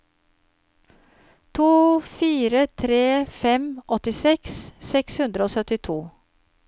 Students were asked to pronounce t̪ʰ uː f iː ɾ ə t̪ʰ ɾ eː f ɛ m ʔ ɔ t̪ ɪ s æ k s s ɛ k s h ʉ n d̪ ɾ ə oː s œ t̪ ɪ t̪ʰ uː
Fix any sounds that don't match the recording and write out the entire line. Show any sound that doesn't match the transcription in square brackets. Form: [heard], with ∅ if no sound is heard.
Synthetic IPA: t̪ʰ uː f iː ɾ ə t̪ʰ ɾ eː f ɛ m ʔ ɔ t̪ ɪ s [ɛ] k s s ɛ k s h ʉ n d̪ ɾ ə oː s œ t̪ ɪ t̪ʰ uː